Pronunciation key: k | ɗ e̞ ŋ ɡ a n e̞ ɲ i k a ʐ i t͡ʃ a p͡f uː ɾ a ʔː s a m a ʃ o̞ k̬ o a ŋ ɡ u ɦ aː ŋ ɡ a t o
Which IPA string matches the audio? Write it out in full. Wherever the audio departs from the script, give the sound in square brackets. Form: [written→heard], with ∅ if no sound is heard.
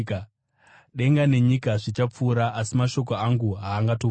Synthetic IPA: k | ɗ e̞ ŋ ɡ a n e̞ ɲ i k a ʐ i t͡ʃ a p͡f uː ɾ a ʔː s [a→i] m a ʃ o̞ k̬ o a ŋ ɡ u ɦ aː ŋ ɡ a t o